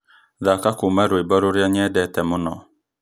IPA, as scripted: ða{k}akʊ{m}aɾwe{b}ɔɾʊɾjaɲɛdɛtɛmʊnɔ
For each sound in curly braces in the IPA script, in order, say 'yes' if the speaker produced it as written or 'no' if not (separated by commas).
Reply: yes, yes, yes